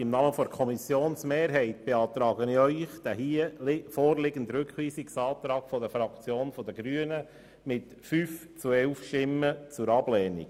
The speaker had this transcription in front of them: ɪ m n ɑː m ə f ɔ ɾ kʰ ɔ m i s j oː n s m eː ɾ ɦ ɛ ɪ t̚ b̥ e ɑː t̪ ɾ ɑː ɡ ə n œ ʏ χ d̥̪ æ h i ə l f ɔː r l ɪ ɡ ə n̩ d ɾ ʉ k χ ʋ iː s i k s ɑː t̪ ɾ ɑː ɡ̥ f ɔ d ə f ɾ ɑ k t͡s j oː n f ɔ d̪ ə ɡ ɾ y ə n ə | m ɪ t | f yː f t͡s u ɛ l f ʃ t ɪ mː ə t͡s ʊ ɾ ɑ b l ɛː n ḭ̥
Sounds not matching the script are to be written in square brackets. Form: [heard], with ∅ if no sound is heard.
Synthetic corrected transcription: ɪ m n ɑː m ə f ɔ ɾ kʰ ɔ m i s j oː n s m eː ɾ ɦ ɛ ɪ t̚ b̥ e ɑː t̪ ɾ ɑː ɡ ə n œ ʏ χ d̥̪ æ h i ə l f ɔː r l ɪ ɡ ə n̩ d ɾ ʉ k χ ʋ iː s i k s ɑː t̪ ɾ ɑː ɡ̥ f ɔ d ə f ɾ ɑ k t͡s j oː n f ɔ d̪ ə ɡ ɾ y ə n ə | m ɪ t | f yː f t͡s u ɛ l f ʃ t ɪ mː ə t͡s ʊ ɾ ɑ b l ɛː n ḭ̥

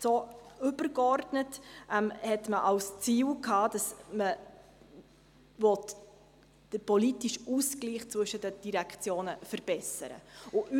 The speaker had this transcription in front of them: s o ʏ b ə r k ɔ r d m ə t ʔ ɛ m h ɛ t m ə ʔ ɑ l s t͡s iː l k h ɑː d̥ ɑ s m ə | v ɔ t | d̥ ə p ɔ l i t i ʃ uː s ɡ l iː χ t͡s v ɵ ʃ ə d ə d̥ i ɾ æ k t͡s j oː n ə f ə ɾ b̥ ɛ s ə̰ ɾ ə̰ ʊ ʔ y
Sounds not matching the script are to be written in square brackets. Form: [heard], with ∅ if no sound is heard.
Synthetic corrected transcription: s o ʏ b ə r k ɔ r d [n] ə t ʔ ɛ m h ɛ t m ə ʔ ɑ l s t͡s iː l k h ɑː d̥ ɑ s m ə | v ɔ t | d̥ ə p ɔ l i t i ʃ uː s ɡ l iː χ t͡s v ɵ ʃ ə d ə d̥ i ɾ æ k t͡s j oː n ə f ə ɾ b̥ ɛ s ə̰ ɾ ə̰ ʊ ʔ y

